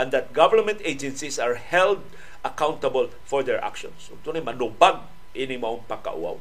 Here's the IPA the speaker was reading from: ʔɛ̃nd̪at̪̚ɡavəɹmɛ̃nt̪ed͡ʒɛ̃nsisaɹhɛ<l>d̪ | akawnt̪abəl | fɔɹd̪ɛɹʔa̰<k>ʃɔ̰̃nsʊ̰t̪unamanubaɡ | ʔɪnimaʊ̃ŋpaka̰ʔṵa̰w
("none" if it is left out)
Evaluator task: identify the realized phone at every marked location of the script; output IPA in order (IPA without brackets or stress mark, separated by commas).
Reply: l, k